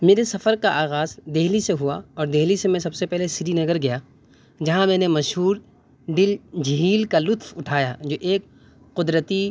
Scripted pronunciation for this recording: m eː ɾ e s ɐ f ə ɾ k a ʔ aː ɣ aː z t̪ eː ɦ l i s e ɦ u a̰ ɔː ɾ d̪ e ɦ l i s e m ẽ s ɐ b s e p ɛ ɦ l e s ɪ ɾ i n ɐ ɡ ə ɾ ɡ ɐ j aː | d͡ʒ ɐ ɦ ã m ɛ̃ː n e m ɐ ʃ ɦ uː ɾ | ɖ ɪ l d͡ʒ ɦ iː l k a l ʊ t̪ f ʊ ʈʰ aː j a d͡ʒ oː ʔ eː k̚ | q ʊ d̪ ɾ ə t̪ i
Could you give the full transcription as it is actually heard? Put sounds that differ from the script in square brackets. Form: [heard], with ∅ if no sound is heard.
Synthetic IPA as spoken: m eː ɾ e s ɐ f ə ɾ k a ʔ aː ɣ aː z [d̪] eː ɦ l i s e ɦ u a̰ ɔː ɾ d̪ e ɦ l i s e m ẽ s ɐ b s e p ɛ ɦ l e s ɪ ɾ i n ɐ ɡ ə ɾ ɡ ɐ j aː | d͡ʒ ɐ ɦ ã m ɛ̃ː n e m ɐ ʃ ɦ uː ɾ | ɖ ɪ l d͡ʒ ɦ iː l k a l ʊ t̪ f ʊ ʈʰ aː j a d͡ʒ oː ʔ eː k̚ | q ʊ d̪ ɾ ə t̪ i